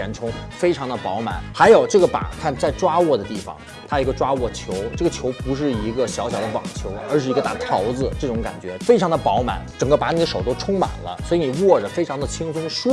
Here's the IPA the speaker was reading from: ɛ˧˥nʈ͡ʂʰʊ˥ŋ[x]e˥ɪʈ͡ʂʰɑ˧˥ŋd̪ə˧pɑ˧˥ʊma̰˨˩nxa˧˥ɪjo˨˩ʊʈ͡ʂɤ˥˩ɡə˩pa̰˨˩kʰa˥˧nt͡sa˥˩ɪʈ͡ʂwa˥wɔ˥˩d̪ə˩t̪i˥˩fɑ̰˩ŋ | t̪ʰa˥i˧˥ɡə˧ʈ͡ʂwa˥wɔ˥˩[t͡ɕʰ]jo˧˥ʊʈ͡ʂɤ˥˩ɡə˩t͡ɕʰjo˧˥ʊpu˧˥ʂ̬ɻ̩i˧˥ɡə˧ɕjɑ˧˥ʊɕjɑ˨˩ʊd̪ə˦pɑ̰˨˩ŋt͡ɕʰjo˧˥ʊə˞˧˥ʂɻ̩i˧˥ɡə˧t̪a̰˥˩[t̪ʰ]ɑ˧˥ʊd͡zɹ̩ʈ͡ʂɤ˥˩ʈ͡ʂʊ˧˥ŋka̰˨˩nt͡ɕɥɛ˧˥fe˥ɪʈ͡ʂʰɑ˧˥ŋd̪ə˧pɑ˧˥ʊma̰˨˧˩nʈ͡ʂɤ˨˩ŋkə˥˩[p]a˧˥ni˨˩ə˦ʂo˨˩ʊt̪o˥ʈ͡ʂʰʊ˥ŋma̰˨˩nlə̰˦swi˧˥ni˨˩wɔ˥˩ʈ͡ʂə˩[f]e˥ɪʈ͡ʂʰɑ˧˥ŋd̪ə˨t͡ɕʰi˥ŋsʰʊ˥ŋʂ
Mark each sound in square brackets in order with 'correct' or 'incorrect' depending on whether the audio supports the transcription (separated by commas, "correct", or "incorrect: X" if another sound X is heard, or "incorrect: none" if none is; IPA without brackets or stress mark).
incorrect: f, correct, correct, correct, correct